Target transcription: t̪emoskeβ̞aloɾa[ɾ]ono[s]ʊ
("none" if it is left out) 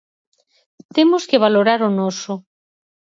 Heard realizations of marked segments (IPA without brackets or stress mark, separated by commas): ɾ, s